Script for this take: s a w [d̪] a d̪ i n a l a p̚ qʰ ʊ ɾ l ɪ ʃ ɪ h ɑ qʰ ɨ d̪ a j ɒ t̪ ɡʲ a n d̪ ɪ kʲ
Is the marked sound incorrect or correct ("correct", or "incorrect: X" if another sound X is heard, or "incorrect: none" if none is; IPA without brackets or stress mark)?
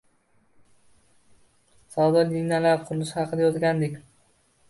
correct